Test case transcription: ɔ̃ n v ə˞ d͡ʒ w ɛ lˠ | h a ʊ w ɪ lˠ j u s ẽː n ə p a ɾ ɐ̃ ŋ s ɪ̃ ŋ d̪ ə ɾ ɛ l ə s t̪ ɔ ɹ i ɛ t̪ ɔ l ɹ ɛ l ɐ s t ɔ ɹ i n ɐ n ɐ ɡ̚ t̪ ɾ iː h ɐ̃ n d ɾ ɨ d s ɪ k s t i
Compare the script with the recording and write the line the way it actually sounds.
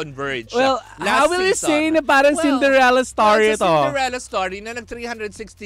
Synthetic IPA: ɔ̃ n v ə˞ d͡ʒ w ɛ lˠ | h a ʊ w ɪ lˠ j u s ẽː n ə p a ɾ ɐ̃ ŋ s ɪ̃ n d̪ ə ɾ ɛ l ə s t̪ ɔ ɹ i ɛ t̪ ɔ l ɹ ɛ l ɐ s t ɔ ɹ i n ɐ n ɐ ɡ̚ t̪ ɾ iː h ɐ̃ n d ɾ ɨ d s ɪ k s t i